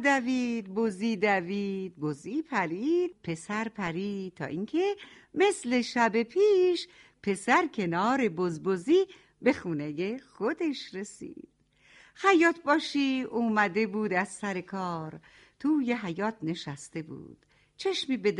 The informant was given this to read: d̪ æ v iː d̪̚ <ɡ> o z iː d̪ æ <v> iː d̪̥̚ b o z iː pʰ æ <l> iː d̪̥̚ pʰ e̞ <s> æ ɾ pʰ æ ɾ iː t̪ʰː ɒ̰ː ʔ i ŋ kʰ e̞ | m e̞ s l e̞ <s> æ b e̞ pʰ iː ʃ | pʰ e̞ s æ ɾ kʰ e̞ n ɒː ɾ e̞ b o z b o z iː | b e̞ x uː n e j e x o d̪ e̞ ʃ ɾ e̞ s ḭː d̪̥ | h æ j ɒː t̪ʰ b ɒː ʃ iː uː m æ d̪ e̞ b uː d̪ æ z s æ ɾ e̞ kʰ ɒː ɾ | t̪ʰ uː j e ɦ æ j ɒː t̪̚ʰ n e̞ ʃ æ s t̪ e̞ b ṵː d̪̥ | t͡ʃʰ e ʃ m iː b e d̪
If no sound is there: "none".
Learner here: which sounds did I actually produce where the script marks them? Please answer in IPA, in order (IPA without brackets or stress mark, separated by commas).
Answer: b, v, ɾ, s, ʃ